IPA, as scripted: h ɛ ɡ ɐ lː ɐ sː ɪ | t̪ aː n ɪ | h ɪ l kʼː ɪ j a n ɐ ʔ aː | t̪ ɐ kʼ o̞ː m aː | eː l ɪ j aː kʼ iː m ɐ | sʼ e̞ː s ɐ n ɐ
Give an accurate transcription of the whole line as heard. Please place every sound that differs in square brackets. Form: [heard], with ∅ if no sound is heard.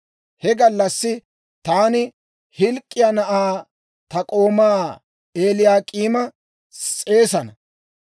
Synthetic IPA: h ɛ ɡ ɐ lː ɐ sː ɪ | t̪ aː n ɪ | h ɪ l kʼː ɪ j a n ɐ ʔ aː | t̪ ɐ kʼ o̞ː m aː | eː l ɪ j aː kʼ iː m ɐ | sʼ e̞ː s ɐ n ɐ